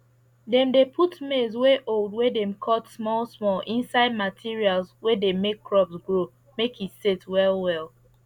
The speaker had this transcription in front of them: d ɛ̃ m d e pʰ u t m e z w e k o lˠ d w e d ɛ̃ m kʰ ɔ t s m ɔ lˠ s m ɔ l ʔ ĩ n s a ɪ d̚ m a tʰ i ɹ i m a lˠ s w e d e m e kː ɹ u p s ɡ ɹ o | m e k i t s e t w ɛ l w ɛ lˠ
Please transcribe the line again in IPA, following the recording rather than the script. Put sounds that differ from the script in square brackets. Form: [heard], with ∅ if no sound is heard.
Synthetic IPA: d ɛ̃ m d e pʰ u t m e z w e [ʔ] o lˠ d w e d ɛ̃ m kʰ ɔ t s m ɔ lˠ s m ɔ l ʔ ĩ n s a ɪ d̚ m a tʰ i ɹ i [∅] a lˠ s w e d e m e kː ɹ [ɔ] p s ɡ ɹ o | m e k i t s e t w ɛ l w ɛ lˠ